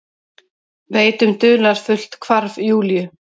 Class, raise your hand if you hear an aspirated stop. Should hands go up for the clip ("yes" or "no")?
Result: yes